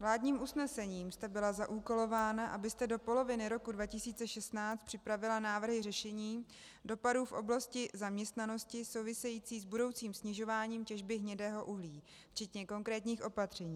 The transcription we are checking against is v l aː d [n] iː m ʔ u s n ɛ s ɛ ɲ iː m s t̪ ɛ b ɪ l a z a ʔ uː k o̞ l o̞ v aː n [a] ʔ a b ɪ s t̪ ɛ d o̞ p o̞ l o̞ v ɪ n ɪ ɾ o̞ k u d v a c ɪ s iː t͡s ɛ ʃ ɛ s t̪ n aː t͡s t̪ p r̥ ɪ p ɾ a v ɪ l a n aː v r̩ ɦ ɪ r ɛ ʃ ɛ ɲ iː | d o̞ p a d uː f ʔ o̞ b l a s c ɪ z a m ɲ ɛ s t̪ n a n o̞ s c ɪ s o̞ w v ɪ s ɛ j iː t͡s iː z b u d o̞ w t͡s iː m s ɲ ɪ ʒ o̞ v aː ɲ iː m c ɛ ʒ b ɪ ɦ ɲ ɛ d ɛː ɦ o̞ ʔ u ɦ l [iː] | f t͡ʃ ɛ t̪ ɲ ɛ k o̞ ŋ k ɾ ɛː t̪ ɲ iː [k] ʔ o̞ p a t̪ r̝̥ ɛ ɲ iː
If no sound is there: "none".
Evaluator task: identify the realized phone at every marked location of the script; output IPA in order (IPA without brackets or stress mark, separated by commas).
ɲ, a, iː, x